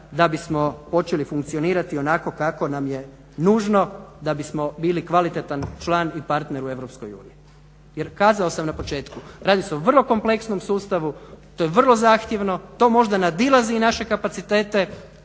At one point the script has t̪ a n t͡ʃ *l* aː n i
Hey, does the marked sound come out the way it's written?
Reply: yes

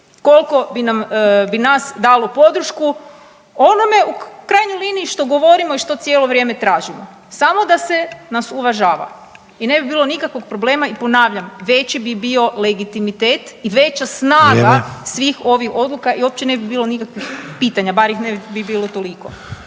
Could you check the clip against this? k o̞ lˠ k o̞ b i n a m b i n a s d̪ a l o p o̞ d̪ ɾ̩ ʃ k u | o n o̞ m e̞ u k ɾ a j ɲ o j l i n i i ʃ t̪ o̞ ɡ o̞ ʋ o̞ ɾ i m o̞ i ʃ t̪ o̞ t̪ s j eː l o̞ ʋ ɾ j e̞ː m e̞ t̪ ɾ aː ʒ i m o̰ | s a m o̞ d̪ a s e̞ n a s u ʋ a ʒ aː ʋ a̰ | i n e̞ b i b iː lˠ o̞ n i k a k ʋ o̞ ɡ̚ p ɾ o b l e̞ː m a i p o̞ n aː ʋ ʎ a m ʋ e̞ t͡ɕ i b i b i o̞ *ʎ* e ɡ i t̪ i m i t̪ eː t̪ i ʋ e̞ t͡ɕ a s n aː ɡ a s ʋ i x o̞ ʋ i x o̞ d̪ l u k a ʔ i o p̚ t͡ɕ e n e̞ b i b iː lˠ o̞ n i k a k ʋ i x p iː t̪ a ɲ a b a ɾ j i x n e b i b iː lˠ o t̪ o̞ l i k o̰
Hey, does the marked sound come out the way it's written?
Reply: no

